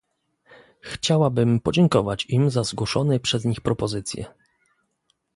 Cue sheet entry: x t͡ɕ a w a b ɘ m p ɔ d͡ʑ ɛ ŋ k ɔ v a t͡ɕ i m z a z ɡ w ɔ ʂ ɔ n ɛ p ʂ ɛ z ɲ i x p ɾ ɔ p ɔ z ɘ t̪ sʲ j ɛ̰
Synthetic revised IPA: x t͡ɕ a w a b ɘ m p ɔ d͡ʑ ɛ ŋ k ɔ v a t͡ɕ i m z a z ɡ w ɔ ʂ ɔ n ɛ p ʂ ɛ z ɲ i x p ɾ ɔ p ɔ z ɘ t̪ sʲ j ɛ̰